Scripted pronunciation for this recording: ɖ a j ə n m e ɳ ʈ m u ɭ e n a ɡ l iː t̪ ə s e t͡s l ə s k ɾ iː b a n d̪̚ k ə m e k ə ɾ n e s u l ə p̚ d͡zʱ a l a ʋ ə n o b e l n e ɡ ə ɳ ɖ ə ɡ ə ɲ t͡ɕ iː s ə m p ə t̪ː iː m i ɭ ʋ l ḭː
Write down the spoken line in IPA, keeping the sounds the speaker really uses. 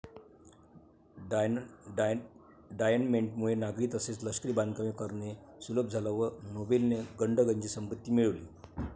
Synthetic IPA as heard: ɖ a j ə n m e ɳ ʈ m u ɭ e n a ɡ ɾ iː t̪ ə s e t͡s l ə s k ɾ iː b a n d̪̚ k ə m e k ə ɾ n e s u l ə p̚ d͡zʱ a l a ʋ ə n o b e l n e ɡ ə ɳ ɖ ə ɡ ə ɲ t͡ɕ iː s ə m p ə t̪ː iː m i ɭ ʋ l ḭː